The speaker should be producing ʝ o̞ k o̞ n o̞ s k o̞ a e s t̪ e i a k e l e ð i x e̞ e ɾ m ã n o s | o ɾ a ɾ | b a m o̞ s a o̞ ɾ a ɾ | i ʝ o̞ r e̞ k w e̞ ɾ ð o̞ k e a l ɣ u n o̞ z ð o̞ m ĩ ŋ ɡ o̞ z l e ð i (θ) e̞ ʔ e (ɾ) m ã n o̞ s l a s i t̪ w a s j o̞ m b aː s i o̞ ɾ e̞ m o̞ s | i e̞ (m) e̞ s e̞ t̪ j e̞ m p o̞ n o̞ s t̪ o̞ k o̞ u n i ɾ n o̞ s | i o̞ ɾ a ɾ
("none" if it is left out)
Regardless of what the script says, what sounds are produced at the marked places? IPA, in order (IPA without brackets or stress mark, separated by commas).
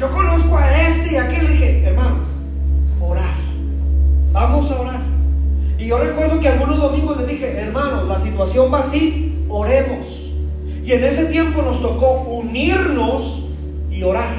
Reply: x, ɾ, n